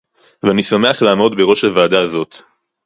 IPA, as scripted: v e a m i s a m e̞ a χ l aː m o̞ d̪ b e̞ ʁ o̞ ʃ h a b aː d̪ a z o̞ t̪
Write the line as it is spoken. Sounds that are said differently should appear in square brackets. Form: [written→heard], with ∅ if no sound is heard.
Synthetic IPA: v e a [m→n] i s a m e̞ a χ l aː m o̞ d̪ b e̞ ʁ o̞ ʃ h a [b→v] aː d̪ a z o̞ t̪

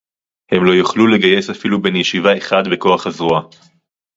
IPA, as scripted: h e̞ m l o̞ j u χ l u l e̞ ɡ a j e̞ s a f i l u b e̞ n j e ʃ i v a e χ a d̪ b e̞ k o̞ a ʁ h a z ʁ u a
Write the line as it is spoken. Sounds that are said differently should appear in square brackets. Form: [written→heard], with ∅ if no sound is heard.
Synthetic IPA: h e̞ m l o̞ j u χ l u l e̞ ɡ a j e̞ s a f i l u b e̞ n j e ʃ i v a e χ a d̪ b e̞ k o̞ a [ʁ→χ] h a z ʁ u a

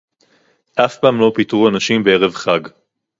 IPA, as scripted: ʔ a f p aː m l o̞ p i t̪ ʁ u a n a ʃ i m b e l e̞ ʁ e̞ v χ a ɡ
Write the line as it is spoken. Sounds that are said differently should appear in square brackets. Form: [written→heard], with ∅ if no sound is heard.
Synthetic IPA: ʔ a f p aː m l o̞ p i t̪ ʁ u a n a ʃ i m b e [l→∅] e̞ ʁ e̞ v χ a ɡ

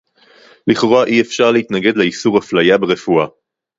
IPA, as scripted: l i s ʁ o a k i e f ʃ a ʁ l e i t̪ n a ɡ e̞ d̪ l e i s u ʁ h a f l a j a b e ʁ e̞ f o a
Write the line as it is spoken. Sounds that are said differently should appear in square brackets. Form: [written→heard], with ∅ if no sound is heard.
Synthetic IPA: l i [s→χ] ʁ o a [k→ʔ] i e f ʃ a ʁ l e i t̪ n a ɡ e̞ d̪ l e i s u ʁ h a f l a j a b e ʁ e̞ f [o→u] a

